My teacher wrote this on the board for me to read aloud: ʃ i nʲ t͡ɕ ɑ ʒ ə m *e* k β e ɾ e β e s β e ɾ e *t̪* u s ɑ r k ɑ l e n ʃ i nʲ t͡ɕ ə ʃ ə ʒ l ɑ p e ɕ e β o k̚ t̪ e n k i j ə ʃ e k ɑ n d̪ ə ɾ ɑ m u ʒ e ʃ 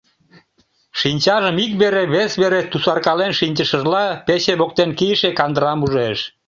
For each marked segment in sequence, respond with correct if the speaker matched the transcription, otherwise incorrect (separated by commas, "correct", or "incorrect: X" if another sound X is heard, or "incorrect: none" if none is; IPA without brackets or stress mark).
incorrect: i, correct